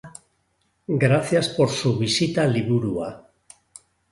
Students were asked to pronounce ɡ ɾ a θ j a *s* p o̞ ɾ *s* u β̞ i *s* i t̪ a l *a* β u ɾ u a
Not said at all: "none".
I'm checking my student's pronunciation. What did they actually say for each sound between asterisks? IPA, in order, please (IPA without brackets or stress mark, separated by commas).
s, s, s, i